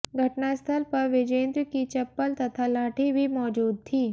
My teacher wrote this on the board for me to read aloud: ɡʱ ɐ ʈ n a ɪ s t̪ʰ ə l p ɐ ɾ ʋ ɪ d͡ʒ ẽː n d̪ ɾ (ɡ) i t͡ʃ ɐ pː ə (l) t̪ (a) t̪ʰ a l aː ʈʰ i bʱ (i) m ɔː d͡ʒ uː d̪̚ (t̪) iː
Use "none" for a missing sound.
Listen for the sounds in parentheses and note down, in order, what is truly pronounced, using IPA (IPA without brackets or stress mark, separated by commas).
k, l, ɐ, i, t̪ʰ